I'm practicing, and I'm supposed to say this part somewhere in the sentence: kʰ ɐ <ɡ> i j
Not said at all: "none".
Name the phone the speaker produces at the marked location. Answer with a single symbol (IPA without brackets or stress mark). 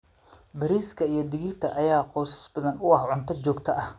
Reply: none